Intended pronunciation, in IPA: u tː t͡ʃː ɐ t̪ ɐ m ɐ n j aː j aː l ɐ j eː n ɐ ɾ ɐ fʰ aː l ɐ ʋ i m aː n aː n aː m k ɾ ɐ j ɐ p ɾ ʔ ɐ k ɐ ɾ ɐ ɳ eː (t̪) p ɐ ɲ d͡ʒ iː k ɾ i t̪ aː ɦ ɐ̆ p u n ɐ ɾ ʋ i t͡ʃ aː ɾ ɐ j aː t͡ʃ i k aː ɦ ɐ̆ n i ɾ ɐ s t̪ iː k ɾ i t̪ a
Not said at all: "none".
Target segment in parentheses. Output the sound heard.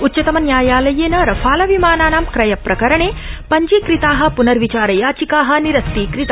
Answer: none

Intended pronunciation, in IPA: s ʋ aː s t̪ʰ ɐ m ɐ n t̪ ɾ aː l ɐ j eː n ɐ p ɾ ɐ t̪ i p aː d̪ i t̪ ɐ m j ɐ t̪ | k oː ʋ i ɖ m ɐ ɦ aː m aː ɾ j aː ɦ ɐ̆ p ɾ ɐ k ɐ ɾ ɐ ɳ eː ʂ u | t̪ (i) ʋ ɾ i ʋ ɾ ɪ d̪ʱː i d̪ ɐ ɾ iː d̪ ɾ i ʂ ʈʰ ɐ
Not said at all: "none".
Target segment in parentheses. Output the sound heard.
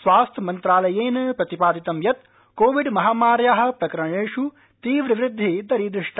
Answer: iː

